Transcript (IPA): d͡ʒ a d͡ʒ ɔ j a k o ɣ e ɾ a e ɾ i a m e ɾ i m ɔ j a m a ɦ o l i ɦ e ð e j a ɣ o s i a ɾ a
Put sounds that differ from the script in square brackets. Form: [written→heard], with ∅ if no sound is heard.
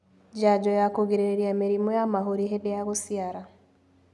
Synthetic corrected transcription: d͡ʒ a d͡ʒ ɔ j a k o ɣ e ɾ [a→e] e ɾ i a m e ɾ i m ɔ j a m a ɦ o [l→ɾ] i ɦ e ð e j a ɣ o s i a ɾ a